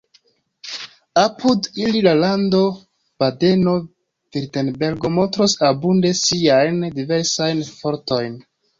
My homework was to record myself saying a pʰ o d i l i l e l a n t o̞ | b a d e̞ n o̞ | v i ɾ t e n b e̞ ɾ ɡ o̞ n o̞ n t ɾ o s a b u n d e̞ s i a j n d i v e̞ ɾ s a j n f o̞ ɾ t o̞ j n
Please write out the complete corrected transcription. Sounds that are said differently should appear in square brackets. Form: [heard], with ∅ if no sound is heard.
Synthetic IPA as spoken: a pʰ [u] d i l i l [a] l a n [d] o̞ | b a d e̞ n o̞ | v i ɾ t e n b e̞ ɾ ɡ o̞ [m] o̞ n t ɾ o s a b u n d e̞ s i a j n d i v e̞ ɾ s a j n f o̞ ɾ t o̞ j n